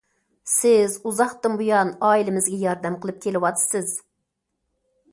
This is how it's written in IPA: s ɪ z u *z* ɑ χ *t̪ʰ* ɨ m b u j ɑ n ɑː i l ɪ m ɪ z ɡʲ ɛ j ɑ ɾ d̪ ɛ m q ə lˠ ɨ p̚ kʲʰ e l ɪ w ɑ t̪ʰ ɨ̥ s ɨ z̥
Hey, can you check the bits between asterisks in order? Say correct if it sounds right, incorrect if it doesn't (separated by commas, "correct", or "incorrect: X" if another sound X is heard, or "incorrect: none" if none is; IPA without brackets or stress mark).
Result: correct, incorrect: t̪